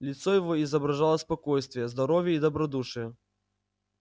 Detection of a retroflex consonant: present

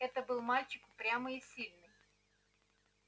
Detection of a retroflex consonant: absent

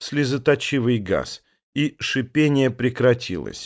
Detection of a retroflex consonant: present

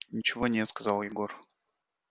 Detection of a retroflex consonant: absent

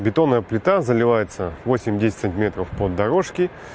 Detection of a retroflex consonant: present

